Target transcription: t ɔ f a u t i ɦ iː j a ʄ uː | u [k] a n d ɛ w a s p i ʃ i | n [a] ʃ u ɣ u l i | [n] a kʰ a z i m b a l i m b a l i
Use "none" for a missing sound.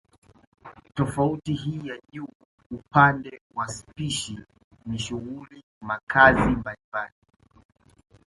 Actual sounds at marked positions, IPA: p, i, m

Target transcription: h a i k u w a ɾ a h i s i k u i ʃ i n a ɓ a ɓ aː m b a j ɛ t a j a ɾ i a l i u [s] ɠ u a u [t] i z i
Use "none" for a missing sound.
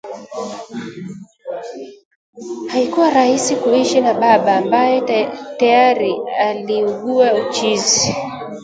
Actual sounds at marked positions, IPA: none, t͡ʃ

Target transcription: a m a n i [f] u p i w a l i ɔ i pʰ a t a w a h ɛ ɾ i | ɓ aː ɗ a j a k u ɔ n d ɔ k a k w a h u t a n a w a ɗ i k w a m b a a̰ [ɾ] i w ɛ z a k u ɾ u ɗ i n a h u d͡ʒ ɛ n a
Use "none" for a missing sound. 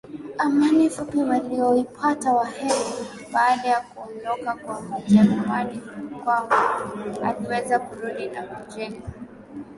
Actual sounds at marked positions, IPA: f, l

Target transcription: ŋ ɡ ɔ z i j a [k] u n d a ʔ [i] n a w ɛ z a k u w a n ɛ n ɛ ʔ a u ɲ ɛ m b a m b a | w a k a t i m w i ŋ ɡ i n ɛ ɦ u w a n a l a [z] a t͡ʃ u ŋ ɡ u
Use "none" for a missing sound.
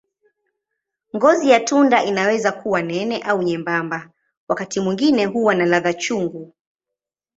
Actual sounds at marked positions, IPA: t, i, ð

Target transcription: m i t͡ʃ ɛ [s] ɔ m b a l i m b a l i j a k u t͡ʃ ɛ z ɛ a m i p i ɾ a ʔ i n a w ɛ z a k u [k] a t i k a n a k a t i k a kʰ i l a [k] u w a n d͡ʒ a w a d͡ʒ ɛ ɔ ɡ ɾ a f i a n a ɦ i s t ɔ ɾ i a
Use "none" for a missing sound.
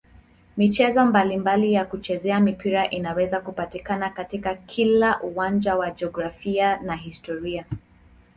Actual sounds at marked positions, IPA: z, p, ʔ

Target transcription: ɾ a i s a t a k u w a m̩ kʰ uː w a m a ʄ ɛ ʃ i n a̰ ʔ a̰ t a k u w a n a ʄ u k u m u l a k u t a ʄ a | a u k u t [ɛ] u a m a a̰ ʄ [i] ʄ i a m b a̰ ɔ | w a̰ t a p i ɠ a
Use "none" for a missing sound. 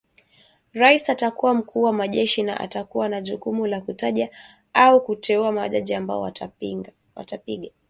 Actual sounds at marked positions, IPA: ɛ, a

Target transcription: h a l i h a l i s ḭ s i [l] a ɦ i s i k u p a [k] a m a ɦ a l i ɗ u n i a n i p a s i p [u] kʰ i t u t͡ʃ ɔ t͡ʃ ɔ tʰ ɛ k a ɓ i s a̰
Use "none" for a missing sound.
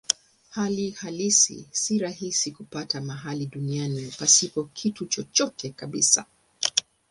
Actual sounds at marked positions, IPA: ɾ, t, ɔ

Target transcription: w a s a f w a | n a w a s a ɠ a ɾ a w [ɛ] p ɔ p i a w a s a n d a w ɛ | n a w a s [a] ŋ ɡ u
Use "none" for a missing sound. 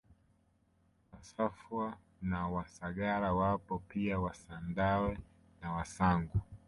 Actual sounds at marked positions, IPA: a, a

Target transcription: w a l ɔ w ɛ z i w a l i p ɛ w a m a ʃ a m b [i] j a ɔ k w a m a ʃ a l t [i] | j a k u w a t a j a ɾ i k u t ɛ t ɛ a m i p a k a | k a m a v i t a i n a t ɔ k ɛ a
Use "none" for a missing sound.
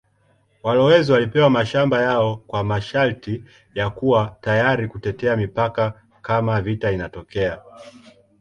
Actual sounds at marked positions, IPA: a, i

